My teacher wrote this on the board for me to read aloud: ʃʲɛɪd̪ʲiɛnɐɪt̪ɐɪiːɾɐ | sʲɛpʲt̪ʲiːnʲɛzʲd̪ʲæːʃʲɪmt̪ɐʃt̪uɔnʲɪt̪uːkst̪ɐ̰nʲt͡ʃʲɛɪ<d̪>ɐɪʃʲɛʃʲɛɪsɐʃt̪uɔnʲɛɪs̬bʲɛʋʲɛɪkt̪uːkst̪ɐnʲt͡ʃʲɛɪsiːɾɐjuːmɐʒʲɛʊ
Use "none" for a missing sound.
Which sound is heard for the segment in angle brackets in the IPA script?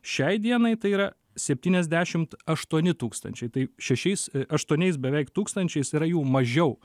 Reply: t̪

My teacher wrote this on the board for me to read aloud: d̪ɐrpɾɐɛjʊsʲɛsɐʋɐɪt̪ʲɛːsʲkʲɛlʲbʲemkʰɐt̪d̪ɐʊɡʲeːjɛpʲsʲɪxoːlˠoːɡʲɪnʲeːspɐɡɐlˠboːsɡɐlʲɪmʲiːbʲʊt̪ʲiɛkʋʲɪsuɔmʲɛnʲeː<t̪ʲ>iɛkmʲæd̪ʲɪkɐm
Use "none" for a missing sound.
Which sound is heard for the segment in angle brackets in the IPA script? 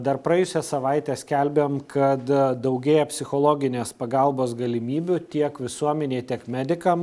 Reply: t̪ʲ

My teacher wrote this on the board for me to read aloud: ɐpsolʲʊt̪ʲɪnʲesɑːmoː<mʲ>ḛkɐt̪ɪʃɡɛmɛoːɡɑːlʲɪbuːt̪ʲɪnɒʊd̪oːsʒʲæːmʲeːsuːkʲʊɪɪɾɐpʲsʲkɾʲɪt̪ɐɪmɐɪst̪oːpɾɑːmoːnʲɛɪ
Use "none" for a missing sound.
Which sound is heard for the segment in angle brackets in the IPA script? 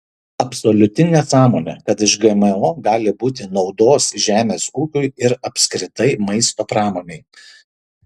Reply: nʲ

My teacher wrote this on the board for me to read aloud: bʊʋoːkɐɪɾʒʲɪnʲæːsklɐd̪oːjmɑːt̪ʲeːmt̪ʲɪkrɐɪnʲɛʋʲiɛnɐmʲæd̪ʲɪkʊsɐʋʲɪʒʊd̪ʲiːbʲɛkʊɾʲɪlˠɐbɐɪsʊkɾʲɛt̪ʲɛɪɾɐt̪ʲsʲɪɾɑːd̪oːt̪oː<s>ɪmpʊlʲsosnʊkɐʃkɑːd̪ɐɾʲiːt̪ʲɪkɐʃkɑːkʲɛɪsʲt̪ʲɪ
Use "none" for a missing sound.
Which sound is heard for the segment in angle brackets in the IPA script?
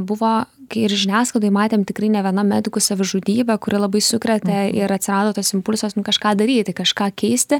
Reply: s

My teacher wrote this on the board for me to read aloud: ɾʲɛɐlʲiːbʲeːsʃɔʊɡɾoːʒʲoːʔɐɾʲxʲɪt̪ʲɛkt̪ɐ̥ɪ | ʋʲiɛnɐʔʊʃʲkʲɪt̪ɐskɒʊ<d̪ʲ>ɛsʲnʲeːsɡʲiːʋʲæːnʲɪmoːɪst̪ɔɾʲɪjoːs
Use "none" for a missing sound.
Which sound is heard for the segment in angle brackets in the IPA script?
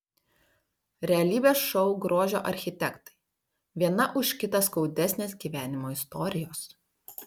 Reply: d̪ʲ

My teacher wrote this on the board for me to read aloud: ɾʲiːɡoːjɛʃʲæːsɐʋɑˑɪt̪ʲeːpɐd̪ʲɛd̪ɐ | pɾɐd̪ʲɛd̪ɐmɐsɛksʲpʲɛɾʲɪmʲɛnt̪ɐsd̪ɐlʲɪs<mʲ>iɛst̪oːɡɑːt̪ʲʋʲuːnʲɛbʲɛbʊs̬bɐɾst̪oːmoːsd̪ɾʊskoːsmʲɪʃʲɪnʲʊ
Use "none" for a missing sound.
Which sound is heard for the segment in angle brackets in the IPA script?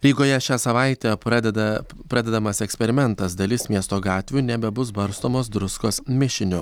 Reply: mʲ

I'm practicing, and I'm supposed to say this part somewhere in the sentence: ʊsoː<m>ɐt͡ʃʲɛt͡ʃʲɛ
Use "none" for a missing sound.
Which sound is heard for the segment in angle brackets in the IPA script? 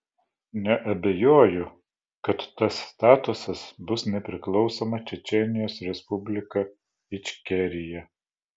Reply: m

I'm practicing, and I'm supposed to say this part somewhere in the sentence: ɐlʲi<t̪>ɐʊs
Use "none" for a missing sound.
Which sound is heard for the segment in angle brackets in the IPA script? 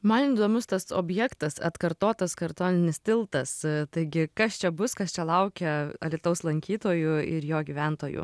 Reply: t̪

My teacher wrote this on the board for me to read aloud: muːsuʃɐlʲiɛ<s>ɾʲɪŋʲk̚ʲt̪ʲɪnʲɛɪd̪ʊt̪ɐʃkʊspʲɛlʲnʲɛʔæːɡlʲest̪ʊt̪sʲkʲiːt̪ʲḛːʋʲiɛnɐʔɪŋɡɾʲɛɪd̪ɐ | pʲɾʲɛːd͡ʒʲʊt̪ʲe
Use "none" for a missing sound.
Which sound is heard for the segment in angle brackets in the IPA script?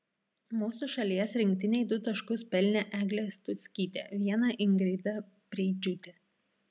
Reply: s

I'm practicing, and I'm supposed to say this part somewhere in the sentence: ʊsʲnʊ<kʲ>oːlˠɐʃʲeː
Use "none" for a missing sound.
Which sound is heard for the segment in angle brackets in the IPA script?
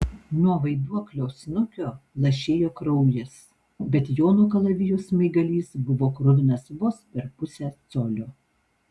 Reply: kʲ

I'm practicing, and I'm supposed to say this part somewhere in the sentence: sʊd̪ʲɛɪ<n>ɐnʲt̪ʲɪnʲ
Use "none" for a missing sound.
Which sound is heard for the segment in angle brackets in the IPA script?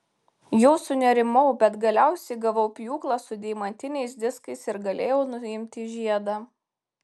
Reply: m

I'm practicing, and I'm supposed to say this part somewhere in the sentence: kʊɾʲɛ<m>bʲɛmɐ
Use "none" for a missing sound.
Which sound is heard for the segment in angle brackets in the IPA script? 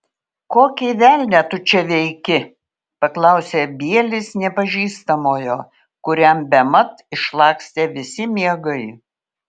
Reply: m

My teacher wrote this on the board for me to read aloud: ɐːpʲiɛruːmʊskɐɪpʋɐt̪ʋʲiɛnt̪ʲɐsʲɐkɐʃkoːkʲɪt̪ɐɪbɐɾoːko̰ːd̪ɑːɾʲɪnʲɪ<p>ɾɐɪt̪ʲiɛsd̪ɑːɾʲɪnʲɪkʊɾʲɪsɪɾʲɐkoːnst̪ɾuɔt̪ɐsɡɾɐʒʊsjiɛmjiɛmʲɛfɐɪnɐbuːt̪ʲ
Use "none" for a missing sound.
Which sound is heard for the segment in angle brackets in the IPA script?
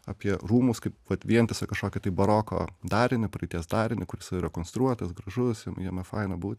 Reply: p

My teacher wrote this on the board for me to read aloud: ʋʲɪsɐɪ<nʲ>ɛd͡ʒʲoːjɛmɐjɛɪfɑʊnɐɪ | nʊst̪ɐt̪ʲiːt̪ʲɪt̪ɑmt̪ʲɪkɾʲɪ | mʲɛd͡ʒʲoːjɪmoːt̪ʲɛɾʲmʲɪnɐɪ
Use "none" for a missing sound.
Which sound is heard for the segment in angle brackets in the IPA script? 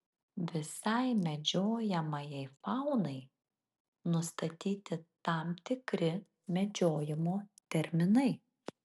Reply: mʲ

